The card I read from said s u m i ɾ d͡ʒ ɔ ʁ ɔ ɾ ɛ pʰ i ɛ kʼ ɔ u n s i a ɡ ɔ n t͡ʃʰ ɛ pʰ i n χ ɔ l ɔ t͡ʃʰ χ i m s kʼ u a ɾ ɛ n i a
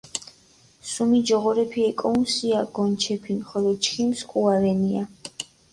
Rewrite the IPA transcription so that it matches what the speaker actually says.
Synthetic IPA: s u m i d͡ʒ ɔ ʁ ɔ ɾ ɛ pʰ i ɛ kʼ ɔ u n s i a ɡ ɔ n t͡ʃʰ ɛ pʰ i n χ ɔ l ɔ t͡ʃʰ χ i m s kʼ u a ɾ ɛ n i a